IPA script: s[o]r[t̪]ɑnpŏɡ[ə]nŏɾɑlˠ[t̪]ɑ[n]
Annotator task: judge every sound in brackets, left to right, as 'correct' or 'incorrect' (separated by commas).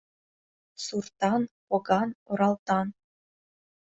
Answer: incorrect, correct, incorrect, correct, correct